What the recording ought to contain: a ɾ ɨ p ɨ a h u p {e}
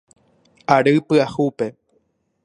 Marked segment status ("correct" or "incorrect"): correct